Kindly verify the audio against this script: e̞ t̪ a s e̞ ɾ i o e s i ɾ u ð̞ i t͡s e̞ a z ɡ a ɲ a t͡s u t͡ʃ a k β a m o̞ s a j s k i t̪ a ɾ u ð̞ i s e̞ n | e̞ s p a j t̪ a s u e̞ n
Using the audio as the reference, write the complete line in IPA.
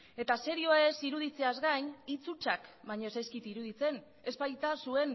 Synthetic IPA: e̞ t̪ a s e̞ ɾ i o e s i ɾ u ð̞ i t͡s e̞ a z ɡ a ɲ i t͡s u t͡ʃ a k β a ɲ o̞ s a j s k i t̪ i ɾ u ð̞ i t͡s e̞ n | e̞ s p a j t̪ a s u e̞ n